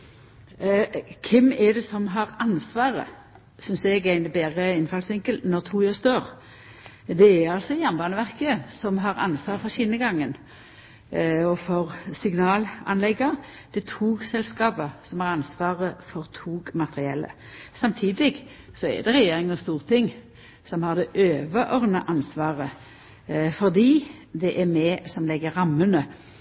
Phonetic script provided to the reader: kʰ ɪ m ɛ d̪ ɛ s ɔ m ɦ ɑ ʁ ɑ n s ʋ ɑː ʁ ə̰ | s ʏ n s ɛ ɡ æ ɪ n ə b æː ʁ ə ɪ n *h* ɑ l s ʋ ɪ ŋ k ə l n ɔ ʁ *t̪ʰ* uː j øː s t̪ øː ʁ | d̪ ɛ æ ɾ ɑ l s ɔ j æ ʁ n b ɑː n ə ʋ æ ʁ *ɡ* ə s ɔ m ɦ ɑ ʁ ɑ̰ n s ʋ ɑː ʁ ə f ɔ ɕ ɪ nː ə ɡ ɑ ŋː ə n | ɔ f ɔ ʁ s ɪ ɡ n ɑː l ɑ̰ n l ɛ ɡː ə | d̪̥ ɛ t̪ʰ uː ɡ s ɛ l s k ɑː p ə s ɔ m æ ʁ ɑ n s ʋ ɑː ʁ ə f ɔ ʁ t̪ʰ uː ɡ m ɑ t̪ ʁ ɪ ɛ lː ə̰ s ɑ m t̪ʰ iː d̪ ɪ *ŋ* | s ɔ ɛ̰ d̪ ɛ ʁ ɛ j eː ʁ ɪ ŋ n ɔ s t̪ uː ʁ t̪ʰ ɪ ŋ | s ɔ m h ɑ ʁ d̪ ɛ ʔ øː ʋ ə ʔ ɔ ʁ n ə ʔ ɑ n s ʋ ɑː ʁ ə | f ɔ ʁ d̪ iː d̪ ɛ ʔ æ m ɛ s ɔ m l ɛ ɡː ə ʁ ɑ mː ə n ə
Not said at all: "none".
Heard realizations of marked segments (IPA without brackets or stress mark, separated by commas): f, t̪ʰ, k, ɡ